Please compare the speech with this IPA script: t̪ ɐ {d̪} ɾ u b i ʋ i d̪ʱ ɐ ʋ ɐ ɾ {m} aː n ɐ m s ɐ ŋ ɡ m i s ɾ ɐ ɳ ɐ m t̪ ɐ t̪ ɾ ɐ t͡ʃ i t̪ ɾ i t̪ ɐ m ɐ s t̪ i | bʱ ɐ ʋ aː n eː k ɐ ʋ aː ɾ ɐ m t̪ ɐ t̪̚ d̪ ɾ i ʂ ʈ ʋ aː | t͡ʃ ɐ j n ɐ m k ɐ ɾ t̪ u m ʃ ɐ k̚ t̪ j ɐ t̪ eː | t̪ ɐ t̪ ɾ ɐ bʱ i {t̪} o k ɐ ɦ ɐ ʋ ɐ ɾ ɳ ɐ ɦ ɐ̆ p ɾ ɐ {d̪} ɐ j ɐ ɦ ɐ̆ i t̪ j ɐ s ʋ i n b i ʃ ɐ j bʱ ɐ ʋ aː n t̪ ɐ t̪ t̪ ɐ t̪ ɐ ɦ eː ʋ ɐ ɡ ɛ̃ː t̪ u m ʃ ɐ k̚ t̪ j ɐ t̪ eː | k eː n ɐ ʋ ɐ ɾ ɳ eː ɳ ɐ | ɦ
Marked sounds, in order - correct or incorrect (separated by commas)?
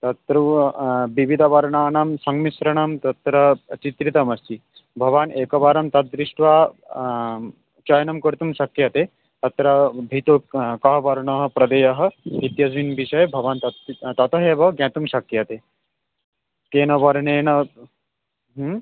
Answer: incorrect, incorrect, correct, correct